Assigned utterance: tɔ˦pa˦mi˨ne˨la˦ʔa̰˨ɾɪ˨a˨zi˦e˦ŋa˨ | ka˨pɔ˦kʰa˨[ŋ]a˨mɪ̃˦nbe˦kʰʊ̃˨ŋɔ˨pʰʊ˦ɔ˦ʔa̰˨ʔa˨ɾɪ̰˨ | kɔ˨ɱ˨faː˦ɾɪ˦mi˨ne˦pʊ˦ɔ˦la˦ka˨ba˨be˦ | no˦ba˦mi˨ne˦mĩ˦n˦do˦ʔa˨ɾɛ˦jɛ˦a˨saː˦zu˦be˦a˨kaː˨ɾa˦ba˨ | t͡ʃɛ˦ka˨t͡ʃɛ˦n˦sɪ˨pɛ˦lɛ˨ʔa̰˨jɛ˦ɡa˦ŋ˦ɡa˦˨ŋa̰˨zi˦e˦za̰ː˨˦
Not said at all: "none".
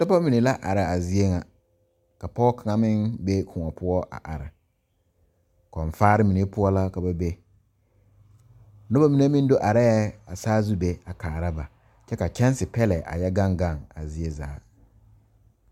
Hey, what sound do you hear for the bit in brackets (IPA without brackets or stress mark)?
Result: ŋ